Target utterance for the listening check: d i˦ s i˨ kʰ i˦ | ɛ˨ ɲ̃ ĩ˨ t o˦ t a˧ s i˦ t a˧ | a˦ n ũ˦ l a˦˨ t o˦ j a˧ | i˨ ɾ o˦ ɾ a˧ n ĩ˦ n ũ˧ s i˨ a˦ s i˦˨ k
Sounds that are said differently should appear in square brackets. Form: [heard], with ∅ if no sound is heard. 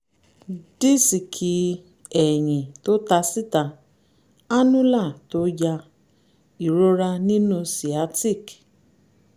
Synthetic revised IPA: d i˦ s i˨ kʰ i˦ | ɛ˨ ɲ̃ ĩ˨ t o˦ t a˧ s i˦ t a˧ | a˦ n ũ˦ l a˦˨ t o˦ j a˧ | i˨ ɾ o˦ ɾ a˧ n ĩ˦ n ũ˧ s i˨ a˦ [t] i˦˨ k

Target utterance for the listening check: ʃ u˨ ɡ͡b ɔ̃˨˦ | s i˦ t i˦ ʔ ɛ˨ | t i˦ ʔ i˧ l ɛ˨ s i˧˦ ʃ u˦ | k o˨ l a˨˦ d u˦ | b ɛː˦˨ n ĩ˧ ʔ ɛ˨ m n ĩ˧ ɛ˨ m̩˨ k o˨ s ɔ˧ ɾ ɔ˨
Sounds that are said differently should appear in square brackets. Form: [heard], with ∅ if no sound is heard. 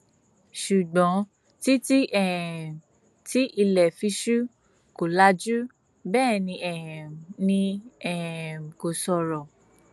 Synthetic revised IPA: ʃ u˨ ɡ͡b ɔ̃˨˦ | [t] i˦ t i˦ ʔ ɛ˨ | t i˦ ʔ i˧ l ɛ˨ [f] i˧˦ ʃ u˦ | k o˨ l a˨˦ [d͡ʒ] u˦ | b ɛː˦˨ n ĩ˧ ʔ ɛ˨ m n ĩ˧ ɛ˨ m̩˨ k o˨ s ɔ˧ ɾ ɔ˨

